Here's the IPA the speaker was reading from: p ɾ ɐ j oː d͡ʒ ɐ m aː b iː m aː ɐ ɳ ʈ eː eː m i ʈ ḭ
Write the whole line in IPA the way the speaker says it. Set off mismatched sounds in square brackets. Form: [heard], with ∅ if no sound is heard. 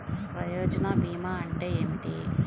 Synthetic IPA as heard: p ɾ ɐ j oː d͡ʒ ɐ [n] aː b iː m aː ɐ ɳ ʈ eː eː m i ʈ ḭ